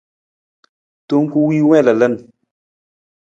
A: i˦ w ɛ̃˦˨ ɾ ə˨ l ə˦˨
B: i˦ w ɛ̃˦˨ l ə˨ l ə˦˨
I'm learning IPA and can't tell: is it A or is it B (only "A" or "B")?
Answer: B